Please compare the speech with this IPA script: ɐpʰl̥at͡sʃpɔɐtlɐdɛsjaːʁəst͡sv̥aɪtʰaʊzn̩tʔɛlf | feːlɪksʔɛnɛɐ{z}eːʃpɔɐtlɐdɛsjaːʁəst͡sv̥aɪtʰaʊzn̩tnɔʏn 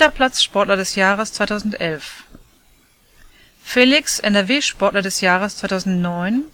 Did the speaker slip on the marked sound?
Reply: yes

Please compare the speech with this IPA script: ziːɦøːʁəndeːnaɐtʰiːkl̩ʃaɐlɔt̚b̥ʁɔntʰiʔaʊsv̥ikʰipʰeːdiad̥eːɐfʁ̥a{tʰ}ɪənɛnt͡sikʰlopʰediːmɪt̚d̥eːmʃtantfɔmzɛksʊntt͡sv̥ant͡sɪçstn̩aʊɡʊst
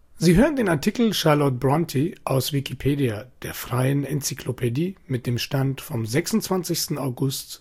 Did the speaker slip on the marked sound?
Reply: yes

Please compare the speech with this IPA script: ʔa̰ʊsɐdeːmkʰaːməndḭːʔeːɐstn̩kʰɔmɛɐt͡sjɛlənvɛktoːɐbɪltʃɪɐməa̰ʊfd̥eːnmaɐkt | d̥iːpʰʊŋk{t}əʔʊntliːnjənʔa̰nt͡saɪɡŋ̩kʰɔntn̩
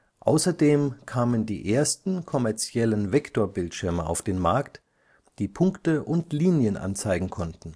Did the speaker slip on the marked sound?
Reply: no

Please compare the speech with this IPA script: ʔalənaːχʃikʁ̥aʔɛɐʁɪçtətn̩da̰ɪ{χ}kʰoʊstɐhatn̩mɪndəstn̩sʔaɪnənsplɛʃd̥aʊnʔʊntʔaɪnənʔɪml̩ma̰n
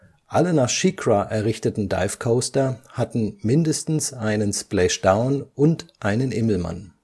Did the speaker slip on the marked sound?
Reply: yes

